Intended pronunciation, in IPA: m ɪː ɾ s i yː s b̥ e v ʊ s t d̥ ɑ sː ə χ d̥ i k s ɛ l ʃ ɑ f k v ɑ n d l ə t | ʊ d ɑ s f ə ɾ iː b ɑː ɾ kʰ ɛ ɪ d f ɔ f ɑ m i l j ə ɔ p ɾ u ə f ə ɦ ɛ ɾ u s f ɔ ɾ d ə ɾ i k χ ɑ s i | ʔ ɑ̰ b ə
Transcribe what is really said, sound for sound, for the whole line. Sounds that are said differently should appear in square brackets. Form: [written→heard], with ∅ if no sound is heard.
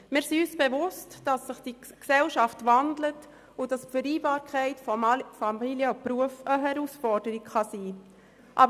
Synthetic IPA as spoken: m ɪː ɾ s i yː s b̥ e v ʊ s t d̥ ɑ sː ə χ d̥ i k s ɛ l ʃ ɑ f [k→t] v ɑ n d l ə t | ʊ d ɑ s f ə ɾ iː b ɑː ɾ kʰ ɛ ɪ [d→t] f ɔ f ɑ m i l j ə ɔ p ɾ u ə f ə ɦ ɛ ɾ u s f ɔ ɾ d ə ɾ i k χ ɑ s [i→iː] | ʔ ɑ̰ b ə

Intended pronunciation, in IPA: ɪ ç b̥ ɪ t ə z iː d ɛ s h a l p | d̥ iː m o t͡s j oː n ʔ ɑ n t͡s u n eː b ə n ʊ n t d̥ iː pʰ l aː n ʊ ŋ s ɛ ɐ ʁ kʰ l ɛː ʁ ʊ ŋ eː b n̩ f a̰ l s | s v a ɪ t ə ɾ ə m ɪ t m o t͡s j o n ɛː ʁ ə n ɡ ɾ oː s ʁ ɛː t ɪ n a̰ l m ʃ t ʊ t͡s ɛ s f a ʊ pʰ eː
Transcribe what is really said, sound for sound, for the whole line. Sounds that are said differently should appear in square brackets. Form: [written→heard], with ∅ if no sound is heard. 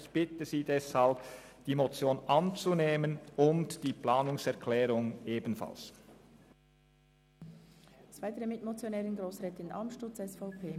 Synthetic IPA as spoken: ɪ ç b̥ ɪ t ə z iː d ɛ s h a l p | d̥ iː m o t͡s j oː n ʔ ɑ n t͡s u n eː [b→m] ə n ʊ n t d̥ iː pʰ l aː n ʊ ŋ s ɛ ɐ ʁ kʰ l ɛː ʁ ʊ ŋ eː b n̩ f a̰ l s | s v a ɪ t ə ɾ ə m ɪ t m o t͡s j o n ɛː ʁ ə n ɡ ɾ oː s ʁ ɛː t ɪ n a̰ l m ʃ t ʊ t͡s ɛ s f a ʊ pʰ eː

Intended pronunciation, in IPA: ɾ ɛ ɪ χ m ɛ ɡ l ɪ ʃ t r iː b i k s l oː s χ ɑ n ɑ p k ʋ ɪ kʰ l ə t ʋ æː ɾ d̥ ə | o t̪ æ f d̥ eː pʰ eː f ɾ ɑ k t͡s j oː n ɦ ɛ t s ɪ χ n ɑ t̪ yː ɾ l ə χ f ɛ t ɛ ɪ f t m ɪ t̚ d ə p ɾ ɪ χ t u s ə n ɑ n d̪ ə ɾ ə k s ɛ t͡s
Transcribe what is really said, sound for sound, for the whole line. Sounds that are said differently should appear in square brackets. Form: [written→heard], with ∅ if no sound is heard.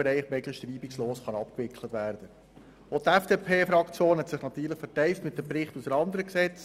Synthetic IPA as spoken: ɾ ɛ ɪ χ m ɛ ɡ l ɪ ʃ t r iː b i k s l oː s χ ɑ n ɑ p k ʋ ɪ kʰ l ə t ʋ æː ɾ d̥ ə | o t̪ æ f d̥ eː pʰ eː f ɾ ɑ k t͡s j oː n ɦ ɛ t s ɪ χ n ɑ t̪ yː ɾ l ə χ f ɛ t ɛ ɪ f t m ɪ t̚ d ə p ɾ ɪ χ t u s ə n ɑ n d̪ ə ɾ ə k s ɛ t͡s

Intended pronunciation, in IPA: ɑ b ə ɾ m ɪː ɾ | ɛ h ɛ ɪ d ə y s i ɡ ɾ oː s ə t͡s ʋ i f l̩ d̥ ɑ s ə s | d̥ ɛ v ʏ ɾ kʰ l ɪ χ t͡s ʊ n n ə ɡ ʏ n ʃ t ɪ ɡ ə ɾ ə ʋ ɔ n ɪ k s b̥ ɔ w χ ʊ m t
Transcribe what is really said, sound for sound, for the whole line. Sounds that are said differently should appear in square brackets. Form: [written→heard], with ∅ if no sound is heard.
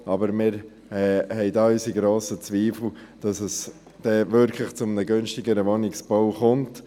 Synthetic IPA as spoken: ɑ b ə ɾ m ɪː ɾ | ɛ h ɛ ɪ d [ə→ɑ] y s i ɡ ɾ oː s ə t͡s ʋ [i→iː] f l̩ d̥ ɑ s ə s | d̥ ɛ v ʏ ɾ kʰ l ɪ χ t͡s ʊ [n→m] n ə ɡ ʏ n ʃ t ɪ ɡ ə ɾ ə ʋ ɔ n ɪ k s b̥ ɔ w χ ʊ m t

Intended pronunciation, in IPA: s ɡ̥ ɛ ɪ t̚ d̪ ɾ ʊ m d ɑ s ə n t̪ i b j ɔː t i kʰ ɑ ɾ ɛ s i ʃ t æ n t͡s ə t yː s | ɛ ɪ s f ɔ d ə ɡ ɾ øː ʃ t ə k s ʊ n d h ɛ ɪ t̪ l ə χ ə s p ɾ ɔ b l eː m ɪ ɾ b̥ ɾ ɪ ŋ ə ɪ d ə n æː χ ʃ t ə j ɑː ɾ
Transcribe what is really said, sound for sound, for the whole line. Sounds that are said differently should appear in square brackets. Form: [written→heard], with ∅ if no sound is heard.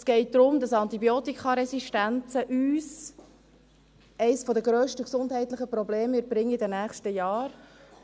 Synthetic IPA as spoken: s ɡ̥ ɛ ɪ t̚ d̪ ɾ ʊ m d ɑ s [ə→ɑ] n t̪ i b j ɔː t i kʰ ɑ ɾ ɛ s i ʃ t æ n t͡s ə [t→ʔ] yː s | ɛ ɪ s f ɔ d ə ɡ ɾ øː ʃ t ə k s ʊ n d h ɛ ɪ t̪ l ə χ ə [s→∅] p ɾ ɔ b l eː m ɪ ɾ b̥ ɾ ɪ ŋ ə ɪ d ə n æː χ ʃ t ə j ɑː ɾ

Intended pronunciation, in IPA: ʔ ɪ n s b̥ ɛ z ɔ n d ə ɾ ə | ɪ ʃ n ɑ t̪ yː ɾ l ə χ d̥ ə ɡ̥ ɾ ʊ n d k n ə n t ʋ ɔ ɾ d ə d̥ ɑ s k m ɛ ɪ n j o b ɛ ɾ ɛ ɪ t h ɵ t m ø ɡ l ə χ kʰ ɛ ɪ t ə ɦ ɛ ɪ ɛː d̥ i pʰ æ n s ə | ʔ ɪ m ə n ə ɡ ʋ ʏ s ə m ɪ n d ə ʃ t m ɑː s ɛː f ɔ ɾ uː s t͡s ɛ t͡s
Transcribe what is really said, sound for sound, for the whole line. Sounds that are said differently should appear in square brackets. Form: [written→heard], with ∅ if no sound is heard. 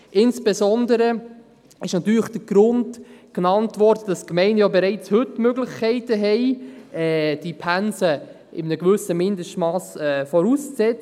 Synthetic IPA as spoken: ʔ ɪ n s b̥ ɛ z ɔ n d ə ɾ ə | ɪ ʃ n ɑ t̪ yː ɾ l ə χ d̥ ə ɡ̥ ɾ ʊ n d k n [ə→ɑ] n t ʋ ɔ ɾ d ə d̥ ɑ s k m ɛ ɪ n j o b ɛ ɾ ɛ ɪ [t→t͡s] h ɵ t m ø ɡ l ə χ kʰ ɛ ɪ t ə ɦ ɛ ɪ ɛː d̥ i pʰ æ n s ə | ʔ ɪ m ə n ə ɡ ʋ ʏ s ə m ɪ n d ə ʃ t m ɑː s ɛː f ɔ ɾ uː s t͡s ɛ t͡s

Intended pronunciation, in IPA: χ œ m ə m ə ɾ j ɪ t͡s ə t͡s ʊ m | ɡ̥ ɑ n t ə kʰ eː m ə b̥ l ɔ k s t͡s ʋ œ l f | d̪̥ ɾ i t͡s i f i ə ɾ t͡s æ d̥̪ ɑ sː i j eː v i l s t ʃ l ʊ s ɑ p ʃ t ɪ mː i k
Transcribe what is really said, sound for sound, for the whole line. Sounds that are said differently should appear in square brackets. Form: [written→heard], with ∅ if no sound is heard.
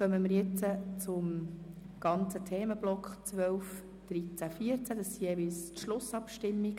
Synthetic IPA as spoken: χ œ m ə m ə ɾ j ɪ t͡s ə t͡s ʊ m | ɡ̥ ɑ n [t→t͡s] ə [kʰ→tʰ] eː m ə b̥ l ɔ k [s→χ] t͡s ʋ œ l f | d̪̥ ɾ i t͡s [i→æ] f i ə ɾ t͡s æ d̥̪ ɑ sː i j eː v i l s t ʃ l ʊ s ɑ p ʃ t ɪ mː i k

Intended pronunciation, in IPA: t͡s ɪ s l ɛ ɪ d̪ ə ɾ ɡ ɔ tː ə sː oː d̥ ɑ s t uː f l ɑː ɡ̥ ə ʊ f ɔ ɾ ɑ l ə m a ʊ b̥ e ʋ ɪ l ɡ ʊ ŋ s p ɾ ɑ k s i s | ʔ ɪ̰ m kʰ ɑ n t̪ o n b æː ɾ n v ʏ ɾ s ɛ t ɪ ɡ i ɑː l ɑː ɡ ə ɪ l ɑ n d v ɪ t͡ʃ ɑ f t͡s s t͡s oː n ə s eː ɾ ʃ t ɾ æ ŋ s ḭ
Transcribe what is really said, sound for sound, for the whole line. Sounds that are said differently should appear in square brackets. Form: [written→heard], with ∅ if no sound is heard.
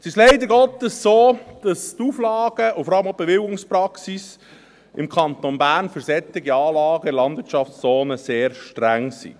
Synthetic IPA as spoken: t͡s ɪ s l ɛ ɪ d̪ ə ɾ ɡ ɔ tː ə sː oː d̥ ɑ s t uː f l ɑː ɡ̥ ə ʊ f ɔ ɾ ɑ l ə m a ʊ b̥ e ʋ ɪ l ɡ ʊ ŋ s p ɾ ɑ k s i s | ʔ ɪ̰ m kʰ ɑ n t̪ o n b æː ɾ n [v→f] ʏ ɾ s ɛ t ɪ ɡ i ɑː l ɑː ɡ ə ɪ l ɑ n d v ɪ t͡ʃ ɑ f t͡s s t͡s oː n ə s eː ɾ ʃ t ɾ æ ŋ s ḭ

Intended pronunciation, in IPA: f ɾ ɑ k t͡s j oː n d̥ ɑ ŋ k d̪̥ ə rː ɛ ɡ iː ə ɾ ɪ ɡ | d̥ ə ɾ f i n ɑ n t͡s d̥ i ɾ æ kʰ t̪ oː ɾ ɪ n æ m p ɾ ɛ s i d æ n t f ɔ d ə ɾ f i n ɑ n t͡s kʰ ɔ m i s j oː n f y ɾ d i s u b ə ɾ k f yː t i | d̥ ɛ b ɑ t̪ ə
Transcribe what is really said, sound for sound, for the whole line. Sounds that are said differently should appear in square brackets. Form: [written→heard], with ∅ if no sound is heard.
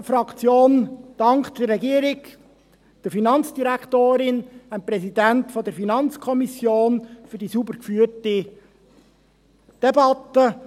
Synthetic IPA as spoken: f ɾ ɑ k t͡s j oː n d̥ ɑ ŋ k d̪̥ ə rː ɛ ɡ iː ə ɾ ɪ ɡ | d̥ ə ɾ f i n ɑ n t͡s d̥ i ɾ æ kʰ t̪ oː ɾ ɪ n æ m p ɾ ɛ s i d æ n t f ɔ d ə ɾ f i n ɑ n t͡s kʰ ɔ m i s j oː n f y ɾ d i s u b ə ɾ k f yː t i | d̥ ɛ b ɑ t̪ ə

